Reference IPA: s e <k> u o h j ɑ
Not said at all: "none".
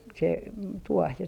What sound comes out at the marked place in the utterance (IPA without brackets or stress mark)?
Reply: t